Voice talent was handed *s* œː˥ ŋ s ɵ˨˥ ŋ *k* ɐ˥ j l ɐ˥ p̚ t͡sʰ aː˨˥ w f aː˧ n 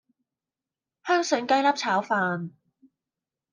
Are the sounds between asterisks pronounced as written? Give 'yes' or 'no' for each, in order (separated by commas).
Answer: no, yes